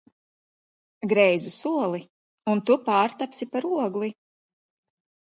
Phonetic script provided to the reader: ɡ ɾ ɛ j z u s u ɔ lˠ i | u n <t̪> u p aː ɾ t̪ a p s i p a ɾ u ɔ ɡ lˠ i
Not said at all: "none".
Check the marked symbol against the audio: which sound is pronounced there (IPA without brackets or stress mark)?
t̪